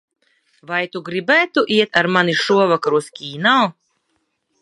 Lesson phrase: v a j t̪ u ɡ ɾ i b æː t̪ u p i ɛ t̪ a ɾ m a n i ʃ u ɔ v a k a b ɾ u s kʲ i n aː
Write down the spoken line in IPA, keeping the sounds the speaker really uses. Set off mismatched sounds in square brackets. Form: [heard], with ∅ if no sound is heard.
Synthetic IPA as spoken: v a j t̪ u ɡ ɾ i b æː t̪ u [ʔ] i ɛ t̪ a ɾ m a n i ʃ u ɔ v a k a [∅] ɾ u s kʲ [iː] n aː